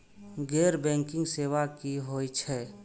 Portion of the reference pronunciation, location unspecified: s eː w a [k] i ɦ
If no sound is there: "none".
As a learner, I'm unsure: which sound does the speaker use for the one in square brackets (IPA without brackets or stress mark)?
k